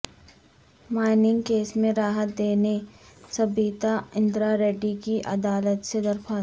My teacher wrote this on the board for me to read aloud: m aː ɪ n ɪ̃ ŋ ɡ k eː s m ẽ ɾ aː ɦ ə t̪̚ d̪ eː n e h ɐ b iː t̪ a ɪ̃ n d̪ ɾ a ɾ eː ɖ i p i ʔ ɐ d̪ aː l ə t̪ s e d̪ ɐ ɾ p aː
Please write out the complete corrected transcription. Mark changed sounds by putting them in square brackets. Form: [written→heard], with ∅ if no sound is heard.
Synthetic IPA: m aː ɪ n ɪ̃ ŋ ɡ k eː s m ẽ ɾ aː ɦ ə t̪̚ d̪ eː n e [h→s] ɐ b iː t̪ a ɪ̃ n d̪ ɾ a ɾ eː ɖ i [p→k] i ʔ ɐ d̪ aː l ə t̪ s e d̪ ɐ ɾ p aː